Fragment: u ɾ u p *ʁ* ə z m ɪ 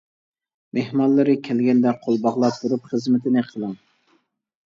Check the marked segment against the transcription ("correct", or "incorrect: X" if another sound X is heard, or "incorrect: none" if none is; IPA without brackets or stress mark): incorrect: χ